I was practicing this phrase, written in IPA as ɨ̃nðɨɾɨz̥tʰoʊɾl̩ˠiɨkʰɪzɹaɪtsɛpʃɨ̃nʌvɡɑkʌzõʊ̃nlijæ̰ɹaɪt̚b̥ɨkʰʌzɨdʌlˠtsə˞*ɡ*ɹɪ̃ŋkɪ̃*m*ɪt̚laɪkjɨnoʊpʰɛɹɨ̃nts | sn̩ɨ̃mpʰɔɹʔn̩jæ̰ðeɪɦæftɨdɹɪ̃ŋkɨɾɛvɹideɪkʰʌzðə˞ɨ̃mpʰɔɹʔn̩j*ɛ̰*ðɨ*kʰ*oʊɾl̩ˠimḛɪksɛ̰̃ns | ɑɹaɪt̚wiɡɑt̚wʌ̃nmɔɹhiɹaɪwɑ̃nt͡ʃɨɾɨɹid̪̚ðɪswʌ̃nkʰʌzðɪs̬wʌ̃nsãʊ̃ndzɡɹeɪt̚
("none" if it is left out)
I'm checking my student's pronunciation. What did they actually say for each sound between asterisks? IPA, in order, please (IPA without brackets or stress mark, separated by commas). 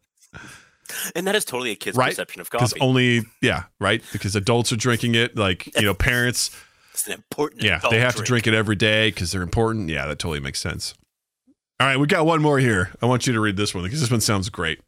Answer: d, ŋ, æ̰, tʰ